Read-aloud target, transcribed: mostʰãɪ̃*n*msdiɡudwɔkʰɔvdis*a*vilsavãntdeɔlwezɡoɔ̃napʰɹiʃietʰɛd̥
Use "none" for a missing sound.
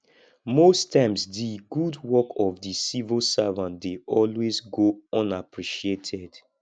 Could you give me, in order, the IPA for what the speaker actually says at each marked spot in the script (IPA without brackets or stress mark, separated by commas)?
none, i